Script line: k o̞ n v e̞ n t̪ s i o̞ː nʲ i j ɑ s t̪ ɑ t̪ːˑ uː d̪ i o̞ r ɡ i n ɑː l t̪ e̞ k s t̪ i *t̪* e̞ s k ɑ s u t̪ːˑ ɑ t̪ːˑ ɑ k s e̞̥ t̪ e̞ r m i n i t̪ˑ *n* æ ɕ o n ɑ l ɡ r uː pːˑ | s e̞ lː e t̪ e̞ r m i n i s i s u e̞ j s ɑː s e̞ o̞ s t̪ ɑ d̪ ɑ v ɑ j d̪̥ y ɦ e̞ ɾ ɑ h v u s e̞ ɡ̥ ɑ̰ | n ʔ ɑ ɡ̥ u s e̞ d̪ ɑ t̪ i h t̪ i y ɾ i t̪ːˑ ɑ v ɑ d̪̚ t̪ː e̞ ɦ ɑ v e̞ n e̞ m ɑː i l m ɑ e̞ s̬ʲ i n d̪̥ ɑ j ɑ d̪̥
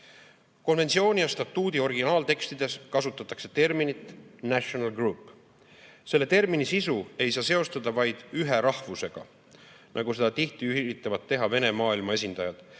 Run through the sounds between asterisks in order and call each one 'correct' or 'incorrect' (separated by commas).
incorrect, correct